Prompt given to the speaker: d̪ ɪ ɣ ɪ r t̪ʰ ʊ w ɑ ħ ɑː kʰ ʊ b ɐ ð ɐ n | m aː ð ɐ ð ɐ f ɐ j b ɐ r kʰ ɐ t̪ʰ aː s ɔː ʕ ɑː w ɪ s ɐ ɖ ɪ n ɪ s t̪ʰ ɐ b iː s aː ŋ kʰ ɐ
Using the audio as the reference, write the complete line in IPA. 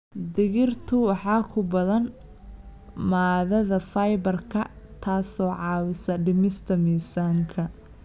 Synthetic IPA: d̪ ɪ ɣ ɪ r t̪ʰ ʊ w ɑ ħ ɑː kʰ ʊ b ɐ ð ɐ n | m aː ð ɐ ð ɐ f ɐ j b ɐ r kʰ ɐ t̪ʰ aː s ɔː ʕ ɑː w ɪ s ɐ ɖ ɪ m ɪ s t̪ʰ ɐ m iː s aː ŋ kʰ ɐ

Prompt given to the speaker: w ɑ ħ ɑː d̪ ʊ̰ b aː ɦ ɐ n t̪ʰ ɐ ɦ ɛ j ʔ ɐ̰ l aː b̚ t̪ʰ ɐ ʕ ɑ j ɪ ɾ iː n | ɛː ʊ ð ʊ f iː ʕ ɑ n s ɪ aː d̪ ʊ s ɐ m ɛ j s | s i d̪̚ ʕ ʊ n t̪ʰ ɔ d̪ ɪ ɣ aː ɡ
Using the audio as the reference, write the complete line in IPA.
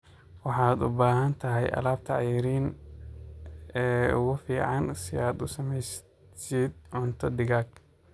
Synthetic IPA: w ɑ ħ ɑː d̪ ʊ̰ b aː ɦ ɐ n t̪ʰ ɐ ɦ ɛ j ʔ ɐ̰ l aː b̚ t̪ʰ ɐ ʕ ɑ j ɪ ɾ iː n | ɛː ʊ ɣ ʊ f iː ʕ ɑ n s ɪ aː d̪ ʊ s ɐ m ɛ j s | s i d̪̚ ʕ ʊ n t̪ʰ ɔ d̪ ɪ ɣ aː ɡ

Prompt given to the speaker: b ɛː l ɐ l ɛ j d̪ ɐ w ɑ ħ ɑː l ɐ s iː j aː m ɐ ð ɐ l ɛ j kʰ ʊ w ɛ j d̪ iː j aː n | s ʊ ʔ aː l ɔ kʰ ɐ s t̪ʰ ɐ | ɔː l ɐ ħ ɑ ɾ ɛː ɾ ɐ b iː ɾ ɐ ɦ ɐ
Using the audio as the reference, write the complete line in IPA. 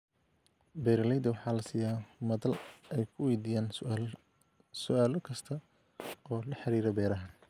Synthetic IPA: b ɛː ɾ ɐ l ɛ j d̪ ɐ w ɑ ħ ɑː l ɐ s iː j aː m ɐ ð ɐ l ɛ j kʰ ʊ w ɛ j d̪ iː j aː n | s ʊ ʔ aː l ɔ kʰ ɐ s t̪ʰ ɐ | ɔː l ɐ ħ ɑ ɾ iː ɾ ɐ b ɛː ɾ ɐ ɦ ɐ

